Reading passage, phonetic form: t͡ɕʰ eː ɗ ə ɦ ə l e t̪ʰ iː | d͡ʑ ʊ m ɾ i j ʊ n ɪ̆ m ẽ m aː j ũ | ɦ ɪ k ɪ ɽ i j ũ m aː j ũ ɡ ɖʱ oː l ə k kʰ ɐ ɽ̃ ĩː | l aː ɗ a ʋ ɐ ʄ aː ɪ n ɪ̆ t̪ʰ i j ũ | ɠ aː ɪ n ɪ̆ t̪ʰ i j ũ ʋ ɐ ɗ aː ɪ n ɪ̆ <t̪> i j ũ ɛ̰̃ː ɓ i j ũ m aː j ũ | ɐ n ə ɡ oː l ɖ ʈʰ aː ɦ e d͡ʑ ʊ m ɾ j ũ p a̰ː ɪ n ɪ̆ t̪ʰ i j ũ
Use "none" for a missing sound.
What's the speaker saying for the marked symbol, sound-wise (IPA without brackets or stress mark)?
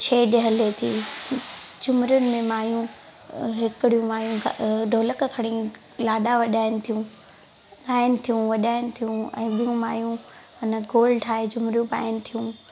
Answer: t̪ʰ